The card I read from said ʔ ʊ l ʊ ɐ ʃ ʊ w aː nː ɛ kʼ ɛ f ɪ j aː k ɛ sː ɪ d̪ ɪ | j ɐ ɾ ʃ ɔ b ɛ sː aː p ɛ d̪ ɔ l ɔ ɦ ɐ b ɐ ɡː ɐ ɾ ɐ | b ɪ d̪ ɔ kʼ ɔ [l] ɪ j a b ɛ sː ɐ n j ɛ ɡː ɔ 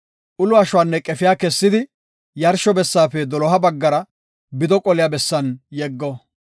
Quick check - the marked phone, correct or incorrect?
correct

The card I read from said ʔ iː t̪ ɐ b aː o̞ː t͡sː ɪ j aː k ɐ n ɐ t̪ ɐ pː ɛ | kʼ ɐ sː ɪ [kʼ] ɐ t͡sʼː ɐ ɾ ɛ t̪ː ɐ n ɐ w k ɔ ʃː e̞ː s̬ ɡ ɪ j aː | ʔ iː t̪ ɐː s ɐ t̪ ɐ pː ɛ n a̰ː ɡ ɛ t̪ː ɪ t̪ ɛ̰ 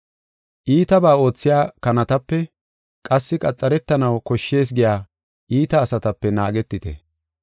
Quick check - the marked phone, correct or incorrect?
correct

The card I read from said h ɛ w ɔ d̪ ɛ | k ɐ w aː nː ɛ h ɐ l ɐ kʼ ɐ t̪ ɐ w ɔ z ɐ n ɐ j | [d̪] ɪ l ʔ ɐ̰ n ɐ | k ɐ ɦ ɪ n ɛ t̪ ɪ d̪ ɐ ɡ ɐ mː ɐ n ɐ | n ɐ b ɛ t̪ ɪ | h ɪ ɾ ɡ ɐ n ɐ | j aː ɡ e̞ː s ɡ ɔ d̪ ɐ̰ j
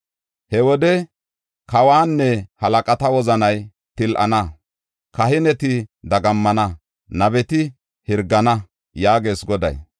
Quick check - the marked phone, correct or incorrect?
incorrect: t̪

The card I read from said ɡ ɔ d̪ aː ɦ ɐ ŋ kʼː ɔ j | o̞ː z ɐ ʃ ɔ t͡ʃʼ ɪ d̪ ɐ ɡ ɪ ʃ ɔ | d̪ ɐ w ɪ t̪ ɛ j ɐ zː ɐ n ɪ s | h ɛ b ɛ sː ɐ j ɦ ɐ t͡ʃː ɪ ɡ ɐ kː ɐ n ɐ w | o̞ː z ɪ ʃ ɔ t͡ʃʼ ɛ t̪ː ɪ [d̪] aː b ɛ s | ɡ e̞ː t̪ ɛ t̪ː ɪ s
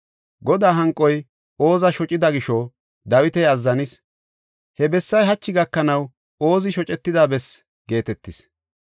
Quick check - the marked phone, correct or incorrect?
correct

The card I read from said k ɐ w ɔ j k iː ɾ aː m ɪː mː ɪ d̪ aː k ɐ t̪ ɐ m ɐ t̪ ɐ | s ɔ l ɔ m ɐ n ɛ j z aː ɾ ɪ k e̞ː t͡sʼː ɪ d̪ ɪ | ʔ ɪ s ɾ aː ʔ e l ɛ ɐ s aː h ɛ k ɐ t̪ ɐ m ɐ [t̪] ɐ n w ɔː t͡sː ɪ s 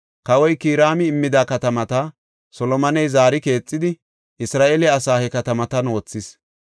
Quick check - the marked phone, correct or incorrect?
correct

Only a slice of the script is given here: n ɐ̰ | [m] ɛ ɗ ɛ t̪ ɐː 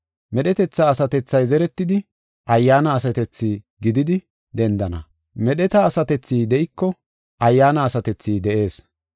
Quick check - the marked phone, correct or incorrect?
correct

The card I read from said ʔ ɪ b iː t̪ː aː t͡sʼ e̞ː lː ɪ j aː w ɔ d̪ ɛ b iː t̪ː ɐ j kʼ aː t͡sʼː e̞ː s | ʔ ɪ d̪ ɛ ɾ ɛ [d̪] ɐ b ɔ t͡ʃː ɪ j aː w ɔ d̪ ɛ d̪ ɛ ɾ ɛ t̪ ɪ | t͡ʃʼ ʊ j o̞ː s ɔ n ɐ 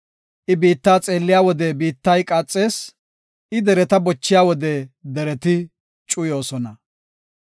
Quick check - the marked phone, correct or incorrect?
incorrect: t̪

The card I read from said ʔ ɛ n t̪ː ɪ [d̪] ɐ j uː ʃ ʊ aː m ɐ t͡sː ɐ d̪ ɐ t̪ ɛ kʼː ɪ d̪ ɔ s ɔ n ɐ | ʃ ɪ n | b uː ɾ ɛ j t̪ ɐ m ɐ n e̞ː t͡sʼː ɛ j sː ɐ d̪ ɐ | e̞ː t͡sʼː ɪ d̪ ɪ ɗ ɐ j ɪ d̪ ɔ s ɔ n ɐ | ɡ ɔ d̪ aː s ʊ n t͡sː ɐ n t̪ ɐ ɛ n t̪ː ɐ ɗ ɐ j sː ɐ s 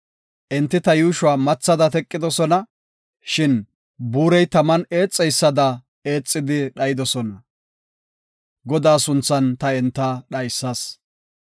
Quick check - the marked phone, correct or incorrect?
incorrect: t̪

